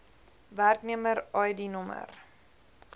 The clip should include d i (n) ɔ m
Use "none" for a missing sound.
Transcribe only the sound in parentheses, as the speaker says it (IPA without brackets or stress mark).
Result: n